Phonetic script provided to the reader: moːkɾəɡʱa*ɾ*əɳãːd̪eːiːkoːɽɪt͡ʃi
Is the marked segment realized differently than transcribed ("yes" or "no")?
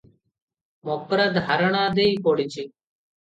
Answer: no